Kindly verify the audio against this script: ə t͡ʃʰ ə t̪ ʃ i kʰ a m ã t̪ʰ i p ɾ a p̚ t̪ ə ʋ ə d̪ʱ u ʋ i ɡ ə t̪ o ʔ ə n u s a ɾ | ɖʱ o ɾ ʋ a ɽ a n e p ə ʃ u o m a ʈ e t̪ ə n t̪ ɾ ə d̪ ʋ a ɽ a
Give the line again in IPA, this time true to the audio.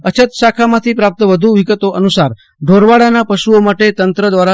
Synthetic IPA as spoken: ə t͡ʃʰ ə t̪ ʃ a kʰ a m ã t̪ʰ i p ɾ a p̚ t̪ ə ʋ ə d̪ʱ u ʋ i ɡ ə t̪ o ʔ ə n u s a ɾ | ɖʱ o ɾ ʋ a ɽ a n a p ə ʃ u o m a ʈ e t̪ ə n t̪ ɾ ə d̪ ʋ a ɾ a